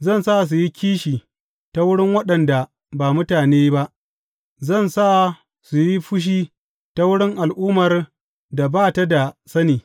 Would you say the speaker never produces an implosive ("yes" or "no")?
no